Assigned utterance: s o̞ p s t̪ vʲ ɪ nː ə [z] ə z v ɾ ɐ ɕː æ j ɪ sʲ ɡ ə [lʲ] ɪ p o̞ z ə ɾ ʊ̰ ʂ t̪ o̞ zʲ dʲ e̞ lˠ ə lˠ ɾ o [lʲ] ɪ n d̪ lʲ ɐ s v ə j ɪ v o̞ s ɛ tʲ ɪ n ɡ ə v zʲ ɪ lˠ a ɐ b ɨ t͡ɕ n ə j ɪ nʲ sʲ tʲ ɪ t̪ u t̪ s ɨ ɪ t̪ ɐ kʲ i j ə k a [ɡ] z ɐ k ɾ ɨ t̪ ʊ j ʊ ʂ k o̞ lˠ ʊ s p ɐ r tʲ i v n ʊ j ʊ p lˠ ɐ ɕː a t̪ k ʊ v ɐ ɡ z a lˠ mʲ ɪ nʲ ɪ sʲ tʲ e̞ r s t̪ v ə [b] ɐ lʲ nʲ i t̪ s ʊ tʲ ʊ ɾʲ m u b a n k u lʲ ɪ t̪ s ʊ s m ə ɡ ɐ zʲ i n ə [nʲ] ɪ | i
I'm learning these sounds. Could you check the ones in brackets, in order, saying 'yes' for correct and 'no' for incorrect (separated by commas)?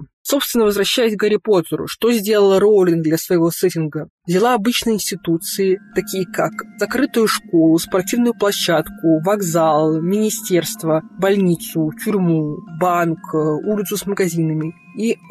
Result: no, no, yes, no, yes, no